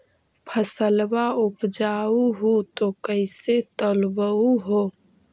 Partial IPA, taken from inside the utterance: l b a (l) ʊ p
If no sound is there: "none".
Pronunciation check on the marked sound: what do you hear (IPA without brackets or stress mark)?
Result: none